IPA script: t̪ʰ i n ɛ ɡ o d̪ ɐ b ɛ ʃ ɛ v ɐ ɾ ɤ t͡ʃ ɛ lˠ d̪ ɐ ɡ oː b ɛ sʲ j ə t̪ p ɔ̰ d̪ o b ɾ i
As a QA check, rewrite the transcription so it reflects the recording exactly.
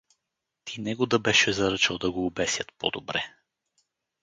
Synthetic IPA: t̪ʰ i n ɛ ɡ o d̪ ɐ b ɛ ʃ ɛ z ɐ ɾ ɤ t͡ʃ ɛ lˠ d̪ ɐ ɡ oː b ɛ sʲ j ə t̪ p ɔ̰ d̪ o b ɾ ɛ